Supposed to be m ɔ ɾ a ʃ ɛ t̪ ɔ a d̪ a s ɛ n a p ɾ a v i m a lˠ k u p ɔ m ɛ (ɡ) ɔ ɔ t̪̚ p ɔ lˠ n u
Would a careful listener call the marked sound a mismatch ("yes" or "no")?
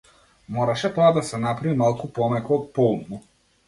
yes